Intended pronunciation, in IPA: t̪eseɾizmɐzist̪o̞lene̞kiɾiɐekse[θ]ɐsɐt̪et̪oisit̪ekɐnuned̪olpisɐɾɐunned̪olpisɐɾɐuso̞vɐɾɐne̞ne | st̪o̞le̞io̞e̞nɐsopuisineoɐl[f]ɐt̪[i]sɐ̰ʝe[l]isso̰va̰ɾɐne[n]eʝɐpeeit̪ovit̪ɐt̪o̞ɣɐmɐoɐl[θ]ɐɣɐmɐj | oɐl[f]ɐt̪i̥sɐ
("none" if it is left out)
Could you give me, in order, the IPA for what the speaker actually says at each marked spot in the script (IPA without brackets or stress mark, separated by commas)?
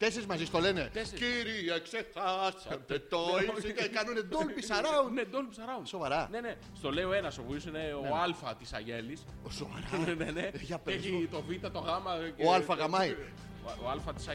x, f, i, l, n, f, f